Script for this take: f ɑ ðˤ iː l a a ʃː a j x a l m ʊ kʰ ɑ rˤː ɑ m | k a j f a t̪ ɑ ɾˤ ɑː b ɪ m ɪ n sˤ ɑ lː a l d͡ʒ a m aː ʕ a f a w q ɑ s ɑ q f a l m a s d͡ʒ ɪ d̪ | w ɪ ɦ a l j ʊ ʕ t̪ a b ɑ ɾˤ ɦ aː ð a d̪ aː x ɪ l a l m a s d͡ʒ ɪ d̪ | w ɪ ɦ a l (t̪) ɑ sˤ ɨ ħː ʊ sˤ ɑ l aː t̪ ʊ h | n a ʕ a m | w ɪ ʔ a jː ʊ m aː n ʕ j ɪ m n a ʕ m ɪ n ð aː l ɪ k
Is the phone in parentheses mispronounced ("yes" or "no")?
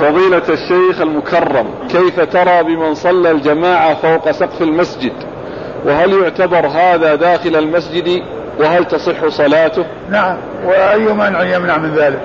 no